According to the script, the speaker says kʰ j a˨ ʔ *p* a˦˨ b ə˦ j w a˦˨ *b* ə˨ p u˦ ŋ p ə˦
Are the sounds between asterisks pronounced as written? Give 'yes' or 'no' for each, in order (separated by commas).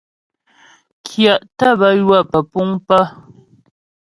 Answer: no, no